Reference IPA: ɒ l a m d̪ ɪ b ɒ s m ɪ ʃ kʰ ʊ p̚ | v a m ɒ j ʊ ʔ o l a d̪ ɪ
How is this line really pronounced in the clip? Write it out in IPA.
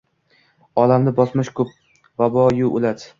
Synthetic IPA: ɒ l a m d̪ ɪ b ɒ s m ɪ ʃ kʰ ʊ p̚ | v a b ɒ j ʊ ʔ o l a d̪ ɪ